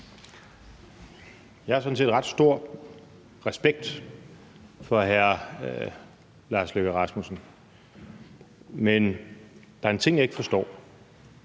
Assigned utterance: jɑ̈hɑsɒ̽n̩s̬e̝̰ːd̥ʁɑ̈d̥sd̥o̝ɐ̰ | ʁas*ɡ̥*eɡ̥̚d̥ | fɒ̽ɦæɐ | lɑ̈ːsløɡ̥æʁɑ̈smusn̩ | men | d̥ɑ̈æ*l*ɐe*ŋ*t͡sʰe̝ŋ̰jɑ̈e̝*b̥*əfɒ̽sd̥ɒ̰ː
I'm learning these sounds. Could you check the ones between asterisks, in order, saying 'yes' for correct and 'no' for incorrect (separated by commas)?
no, no, no, no